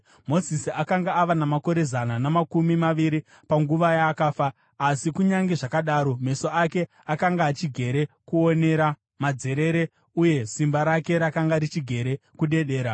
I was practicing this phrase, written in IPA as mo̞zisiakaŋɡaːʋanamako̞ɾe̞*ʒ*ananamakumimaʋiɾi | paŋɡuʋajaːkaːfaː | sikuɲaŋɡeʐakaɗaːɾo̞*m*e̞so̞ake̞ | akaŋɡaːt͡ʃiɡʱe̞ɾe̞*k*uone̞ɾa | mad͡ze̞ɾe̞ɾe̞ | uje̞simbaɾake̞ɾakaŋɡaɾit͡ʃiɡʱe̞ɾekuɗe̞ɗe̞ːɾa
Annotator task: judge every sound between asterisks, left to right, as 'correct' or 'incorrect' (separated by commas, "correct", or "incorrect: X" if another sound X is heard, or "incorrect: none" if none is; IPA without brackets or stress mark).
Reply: incorrect: z, correct, correct